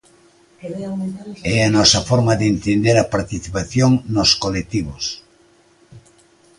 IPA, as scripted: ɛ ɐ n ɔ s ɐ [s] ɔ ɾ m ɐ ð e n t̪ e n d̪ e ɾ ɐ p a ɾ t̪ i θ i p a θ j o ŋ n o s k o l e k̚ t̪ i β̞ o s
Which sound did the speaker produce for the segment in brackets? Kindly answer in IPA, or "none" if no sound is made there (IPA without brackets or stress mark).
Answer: f